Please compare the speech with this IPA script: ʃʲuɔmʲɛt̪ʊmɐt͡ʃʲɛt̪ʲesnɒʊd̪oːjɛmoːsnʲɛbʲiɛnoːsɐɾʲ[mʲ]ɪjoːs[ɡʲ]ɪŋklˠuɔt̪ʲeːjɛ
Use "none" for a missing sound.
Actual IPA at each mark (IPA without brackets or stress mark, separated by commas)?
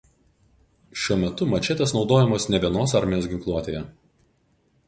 mʲ, ɡʲ